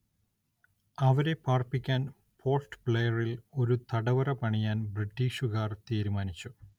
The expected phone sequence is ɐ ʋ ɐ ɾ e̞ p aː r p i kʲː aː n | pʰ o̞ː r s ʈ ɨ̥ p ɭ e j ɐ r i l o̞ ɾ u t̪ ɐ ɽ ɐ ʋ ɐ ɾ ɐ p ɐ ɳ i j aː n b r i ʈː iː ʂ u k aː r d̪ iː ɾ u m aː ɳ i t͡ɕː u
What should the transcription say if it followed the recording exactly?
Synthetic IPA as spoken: ɐ ʋ ɐ ɾ e̞ p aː r p i kʲː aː n | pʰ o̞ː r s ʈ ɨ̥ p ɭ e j ɐ r i l o̞ ɾ u t̪ ɐ ɽ ɐ ʋ ɐ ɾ ɐ p ɐ ɳ i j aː n b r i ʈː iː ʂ u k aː r t̪ iː ɾ u m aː n i t͡ɕː u